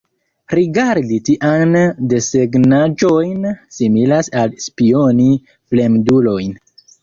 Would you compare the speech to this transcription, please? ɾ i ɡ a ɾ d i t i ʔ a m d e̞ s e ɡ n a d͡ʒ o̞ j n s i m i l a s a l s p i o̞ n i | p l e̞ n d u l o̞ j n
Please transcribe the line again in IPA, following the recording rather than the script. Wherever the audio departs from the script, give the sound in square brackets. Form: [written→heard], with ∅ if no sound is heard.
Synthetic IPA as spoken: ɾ i ɡ a ɾ d i t i ʔ a [m→n] d e̞ s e ɡ n a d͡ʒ o̞ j n s i m i l a s a l s p i o̞ n i | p l e̞ [n→m] d u l o̞ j n